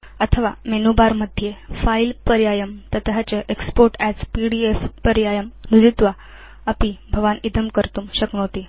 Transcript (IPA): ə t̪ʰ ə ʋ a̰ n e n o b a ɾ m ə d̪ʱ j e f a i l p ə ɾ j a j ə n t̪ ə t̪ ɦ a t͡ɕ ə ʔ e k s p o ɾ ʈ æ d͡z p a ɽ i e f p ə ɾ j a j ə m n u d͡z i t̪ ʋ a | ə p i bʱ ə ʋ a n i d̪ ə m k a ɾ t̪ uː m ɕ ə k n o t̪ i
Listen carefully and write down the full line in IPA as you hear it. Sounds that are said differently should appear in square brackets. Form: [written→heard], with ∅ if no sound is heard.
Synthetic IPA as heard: ə t̪ʰ ə ʋ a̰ [n→m] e n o b a ɾ m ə d̪ʱ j e f a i l p ə ɾ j a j ə [n→m] t̪ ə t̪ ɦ a t͡ɕ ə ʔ e k s p o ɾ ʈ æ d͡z p [a→i] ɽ i e f p ə ɾ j a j ə m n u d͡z i t̪ ʋ a | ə p i bʱ ə ʋ a n i d̪ ə m k [a→ə] ɾ t̪ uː m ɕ ə k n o t̪ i